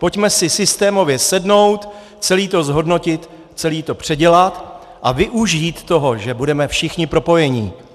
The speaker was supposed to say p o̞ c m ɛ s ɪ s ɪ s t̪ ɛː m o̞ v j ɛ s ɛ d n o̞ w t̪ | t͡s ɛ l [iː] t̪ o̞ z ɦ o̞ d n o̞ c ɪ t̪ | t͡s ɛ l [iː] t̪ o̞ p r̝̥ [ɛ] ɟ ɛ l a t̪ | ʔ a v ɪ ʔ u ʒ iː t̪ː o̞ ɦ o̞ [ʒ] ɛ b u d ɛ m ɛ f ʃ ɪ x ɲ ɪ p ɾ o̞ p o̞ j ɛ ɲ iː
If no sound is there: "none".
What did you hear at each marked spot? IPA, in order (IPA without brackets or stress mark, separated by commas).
iː, iː, ɛ, ʒ